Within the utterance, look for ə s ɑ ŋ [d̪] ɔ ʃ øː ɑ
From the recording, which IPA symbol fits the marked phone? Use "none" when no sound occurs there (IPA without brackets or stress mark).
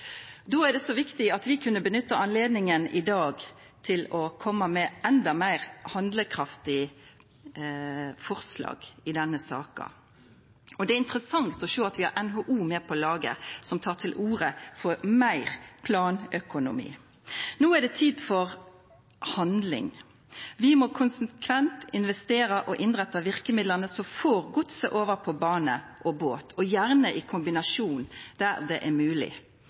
t̪